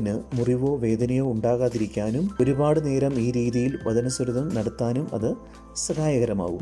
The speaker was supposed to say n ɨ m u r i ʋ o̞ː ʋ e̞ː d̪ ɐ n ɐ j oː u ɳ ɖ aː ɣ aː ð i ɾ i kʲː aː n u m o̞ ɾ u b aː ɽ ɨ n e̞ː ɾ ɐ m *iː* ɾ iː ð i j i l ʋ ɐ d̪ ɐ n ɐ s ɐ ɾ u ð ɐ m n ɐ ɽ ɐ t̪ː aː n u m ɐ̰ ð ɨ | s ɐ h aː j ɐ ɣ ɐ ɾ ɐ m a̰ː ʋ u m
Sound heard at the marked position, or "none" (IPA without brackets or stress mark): iː